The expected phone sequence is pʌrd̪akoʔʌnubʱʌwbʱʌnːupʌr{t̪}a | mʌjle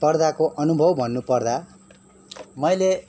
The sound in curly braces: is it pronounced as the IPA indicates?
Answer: no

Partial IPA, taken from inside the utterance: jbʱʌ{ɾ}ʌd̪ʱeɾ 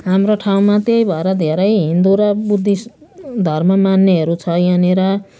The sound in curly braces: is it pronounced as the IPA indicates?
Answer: yes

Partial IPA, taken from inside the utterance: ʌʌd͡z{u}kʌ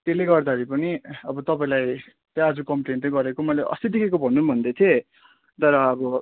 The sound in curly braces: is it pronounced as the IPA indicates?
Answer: yes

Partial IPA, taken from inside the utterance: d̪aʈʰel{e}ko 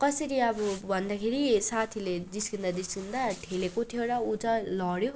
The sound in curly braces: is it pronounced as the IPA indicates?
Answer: yes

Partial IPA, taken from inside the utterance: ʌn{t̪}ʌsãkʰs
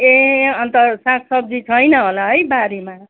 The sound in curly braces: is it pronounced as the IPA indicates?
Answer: yes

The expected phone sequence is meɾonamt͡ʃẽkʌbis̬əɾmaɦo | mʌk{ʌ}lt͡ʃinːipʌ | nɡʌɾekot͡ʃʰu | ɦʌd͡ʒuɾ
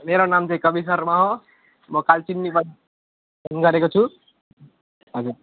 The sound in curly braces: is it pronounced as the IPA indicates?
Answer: no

